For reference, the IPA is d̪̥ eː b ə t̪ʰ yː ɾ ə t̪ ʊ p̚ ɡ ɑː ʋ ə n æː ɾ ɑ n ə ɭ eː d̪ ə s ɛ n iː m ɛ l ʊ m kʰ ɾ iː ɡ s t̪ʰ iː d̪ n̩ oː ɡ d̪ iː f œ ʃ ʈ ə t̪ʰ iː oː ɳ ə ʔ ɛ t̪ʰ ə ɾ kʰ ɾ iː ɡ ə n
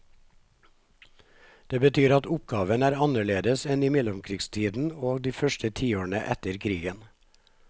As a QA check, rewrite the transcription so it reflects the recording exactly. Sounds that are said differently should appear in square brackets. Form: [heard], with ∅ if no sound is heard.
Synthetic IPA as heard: d̪̥ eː b ə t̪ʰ yː ɾ [ɑ] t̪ ʊ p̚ ɡ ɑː ʋ ə n æː ɾ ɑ n ə ɭ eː d̪ ə s ɛ n iː m ɛ l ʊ m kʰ ɾ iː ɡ s t̪ʰ iː d̪ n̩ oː ɡ d̪ iː f œ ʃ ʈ ə t̪ʰ iː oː ɳ ə ʔ ɛ [t̪] ə ɾ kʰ ɾ iː ɡ ə n